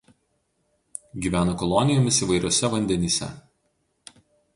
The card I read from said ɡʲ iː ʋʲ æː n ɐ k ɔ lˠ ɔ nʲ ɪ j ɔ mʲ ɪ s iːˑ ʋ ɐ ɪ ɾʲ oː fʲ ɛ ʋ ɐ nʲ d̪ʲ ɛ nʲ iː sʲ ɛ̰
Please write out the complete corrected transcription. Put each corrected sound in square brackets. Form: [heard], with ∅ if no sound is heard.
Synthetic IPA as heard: ɡʲ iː ʋʲ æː n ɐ k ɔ lˠ ɔ nʲ ɪ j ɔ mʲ ɪ s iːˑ ʋ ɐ ɪ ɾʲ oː [sʲ] ɛ ʋ ɐ nʲ d̪ʲ ɛ nʲ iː sʲ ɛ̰